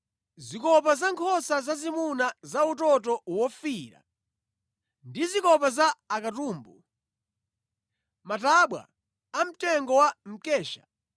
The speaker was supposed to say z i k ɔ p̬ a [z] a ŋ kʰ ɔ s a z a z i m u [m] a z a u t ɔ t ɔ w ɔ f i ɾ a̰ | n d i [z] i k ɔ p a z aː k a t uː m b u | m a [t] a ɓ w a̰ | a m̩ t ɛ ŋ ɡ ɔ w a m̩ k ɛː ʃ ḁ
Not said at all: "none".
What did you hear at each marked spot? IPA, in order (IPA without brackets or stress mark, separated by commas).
z, n, z, t